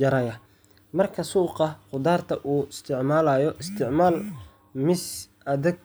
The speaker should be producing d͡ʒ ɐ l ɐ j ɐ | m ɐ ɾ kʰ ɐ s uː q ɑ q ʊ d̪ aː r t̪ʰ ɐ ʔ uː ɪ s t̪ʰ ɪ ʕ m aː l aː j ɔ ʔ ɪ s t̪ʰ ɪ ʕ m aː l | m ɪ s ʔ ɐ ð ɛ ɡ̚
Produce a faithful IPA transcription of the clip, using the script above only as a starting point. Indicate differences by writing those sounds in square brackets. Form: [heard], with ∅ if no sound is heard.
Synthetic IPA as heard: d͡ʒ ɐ [ɾ] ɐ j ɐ | m ɐ [r] kʰ ɐ s uː q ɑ q ʊ d̪ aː r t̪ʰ ɐ ʔ uː ɪ s t̪ʰ ɪ ʕ m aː l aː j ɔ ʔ ɪ s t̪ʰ ɪ ʕ m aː l | m ɪ s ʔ ɐ ð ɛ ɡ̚